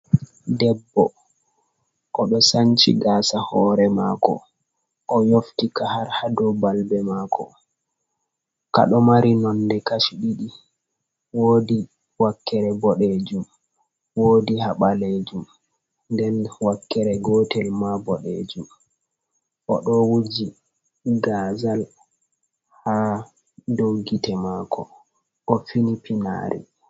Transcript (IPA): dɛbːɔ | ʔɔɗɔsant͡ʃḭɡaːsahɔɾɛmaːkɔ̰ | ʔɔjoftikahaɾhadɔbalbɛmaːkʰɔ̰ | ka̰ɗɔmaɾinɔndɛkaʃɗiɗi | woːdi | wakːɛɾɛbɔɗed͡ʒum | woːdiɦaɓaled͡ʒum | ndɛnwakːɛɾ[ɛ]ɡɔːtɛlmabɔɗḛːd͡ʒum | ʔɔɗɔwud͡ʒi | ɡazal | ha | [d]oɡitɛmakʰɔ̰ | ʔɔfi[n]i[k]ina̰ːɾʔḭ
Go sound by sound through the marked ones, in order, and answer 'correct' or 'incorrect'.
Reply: correct, correct, correct, incorrect

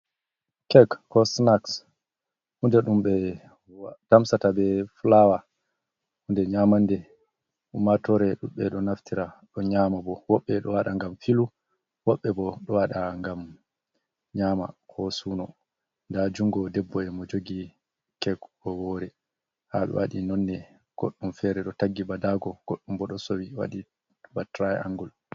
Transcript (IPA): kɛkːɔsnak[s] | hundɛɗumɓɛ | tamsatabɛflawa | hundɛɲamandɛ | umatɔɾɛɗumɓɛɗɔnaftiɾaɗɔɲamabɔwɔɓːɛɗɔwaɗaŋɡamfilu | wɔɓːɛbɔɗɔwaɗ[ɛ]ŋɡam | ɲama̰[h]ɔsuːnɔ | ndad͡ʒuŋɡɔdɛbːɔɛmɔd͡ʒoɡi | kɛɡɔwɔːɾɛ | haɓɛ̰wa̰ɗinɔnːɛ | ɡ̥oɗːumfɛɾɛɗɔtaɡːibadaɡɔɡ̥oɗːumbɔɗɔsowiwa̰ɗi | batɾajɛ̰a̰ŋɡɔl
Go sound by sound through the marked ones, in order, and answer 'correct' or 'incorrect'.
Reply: correct, incorrect, correct

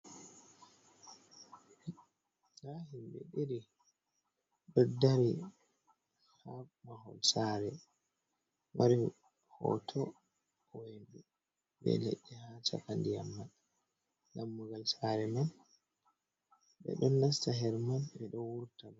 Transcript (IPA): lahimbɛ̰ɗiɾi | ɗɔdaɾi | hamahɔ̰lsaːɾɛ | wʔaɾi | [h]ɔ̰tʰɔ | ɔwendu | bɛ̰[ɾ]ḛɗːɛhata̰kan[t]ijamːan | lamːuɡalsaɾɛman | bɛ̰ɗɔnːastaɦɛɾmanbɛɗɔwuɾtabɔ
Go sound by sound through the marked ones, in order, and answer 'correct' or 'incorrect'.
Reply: correct, incorrect, incorrect

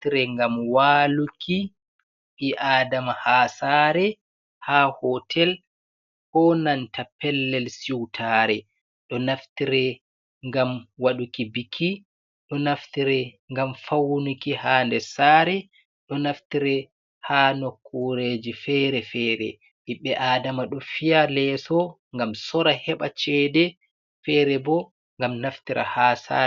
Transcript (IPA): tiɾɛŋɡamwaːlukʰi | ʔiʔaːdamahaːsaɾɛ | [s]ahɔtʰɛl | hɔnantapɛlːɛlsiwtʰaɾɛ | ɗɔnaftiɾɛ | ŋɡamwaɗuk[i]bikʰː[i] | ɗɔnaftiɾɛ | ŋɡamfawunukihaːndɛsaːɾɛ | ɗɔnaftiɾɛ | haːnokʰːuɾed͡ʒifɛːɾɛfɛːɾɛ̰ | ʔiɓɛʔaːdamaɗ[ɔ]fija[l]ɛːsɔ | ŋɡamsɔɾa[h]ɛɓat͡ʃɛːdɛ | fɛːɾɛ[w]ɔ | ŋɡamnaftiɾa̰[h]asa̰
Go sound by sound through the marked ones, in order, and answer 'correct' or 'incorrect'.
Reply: incorrect, correct, correct, correct, correct, correct, incorrect, correct

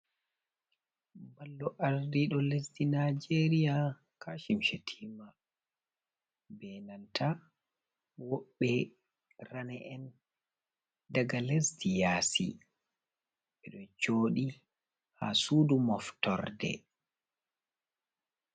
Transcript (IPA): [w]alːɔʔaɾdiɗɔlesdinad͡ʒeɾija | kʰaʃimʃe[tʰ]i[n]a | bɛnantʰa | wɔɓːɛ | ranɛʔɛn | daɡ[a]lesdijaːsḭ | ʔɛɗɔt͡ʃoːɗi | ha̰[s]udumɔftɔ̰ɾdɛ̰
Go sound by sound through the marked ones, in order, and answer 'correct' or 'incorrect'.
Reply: incorrect, correct, incorrect, correct, correct

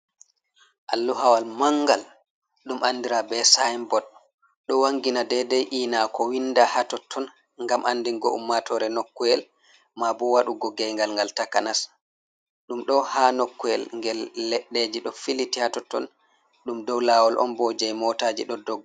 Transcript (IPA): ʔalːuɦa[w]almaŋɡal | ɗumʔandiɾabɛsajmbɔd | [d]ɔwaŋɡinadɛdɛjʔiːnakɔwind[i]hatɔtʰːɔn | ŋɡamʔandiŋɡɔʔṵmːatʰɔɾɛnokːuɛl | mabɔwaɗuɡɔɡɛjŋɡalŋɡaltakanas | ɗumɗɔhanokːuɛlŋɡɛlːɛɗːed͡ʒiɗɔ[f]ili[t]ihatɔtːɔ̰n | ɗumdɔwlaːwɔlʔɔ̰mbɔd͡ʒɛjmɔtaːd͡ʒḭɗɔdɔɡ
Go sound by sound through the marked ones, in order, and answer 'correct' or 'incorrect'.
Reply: correct, incorrect, incorrect, correct, correct

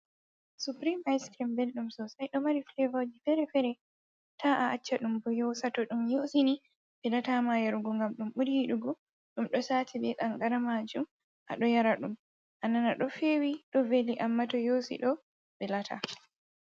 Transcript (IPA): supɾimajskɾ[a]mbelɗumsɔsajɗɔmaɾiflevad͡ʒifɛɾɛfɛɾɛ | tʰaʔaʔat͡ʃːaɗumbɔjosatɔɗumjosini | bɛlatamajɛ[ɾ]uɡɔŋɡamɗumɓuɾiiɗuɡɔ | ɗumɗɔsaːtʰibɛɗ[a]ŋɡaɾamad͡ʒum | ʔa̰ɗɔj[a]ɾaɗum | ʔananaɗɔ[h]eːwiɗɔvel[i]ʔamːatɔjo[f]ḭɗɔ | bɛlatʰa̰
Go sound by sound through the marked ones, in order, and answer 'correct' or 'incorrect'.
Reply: incorrect, correct, correct, correct, incorrect, correct, incorrect

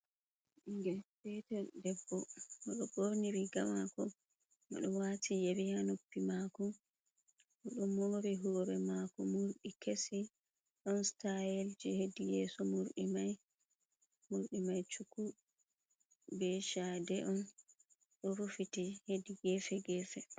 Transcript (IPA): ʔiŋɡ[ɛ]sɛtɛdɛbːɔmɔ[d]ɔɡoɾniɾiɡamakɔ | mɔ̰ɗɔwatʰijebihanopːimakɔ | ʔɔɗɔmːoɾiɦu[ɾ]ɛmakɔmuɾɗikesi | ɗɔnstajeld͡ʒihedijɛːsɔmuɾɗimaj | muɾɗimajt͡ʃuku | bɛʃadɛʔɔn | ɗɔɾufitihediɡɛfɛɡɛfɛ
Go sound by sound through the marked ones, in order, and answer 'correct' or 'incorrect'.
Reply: correct, incorrect, correct

